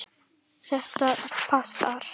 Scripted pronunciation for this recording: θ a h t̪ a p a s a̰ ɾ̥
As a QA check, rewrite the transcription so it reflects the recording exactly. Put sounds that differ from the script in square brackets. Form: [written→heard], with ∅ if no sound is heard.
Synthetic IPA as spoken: θ [a→ɛ] h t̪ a [p→pʰ] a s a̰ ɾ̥